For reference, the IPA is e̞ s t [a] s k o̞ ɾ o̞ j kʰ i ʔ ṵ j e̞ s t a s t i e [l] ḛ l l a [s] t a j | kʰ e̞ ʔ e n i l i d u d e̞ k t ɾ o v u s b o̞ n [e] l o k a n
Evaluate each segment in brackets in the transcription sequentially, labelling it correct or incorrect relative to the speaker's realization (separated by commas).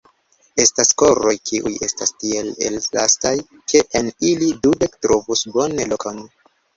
correct, correct, correct, correct